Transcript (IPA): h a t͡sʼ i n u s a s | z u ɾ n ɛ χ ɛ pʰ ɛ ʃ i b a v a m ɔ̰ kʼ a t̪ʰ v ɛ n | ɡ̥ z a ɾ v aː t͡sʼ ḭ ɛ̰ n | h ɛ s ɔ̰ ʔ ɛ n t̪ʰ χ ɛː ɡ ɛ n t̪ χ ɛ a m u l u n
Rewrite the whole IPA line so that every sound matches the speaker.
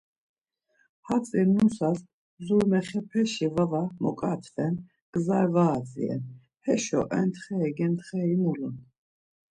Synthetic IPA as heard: h a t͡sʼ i n u s a s | z u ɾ m ɛ χ ɛ pʰ ɛ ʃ i v a v a m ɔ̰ kʼ a t̪ʰ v ɛ n | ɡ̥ z a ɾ v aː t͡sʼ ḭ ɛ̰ n | h ɛ ʃ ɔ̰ ʔ ɛ n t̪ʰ χ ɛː ɡ ɛ n t̪ χ ɛ i m u l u n